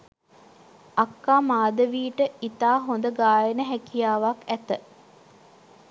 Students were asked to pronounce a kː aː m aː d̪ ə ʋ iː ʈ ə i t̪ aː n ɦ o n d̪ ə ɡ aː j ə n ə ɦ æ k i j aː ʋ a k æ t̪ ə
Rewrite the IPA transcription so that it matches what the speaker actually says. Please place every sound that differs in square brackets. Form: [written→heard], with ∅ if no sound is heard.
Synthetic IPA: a kː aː m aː d̪ ə ʋ iː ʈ ə i t̪ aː [n→∅] ɦ o n d̪ ə ɡ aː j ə n ə ɦ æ k i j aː ʋ a k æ t̪ ə